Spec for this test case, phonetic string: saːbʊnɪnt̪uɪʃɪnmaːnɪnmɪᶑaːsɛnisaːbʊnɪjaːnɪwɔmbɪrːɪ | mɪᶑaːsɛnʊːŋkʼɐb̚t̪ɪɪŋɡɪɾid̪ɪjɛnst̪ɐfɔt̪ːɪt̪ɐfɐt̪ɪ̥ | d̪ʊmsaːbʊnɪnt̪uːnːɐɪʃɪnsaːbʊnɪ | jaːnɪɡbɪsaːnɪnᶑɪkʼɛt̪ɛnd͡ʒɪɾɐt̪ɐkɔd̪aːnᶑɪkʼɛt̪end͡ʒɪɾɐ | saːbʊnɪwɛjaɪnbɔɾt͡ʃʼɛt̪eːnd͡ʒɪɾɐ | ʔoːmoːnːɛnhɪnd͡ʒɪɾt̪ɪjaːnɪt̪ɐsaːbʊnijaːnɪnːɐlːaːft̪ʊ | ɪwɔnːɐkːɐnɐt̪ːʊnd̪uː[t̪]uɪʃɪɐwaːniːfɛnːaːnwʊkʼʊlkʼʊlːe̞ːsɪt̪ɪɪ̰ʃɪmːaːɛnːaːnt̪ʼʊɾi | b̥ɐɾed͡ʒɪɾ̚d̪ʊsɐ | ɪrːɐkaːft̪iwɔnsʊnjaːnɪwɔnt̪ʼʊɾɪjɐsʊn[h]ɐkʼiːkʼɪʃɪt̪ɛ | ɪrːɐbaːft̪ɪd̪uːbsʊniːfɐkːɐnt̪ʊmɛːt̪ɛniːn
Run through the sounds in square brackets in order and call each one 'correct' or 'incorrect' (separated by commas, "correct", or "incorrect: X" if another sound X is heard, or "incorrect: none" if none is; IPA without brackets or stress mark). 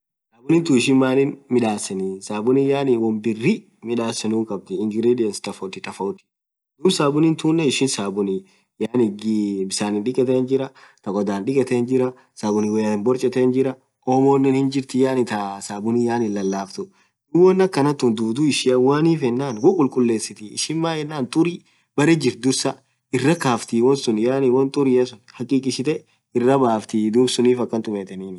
incorrect: d̪, correct